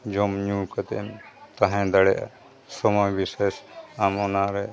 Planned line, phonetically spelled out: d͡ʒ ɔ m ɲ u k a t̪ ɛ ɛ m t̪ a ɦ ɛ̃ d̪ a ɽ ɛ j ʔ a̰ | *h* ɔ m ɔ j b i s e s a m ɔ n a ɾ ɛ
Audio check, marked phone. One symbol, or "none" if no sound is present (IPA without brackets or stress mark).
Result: s